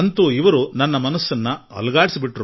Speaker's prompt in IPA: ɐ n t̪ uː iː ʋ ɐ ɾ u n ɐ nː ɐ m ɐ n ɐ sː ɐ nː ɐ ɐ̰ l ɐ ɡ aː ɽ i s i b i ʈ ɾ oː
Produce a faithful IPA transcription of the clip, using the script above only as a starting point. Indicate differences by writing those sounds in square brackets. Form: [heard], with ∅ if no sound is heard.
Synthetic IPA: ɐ n t̪ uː [i] ʋ ɐ ɾ u n ɐ nː ɐ m ɐ n ɐ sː ɐ nː ɐ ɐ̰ l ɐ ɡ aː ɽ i s i b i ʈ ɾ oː